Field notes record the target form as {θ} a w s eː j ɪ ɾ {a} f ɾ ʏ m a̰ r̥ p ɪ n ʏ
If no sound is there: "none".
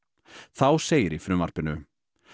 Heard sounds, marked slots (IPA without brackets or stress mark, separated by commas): θ, i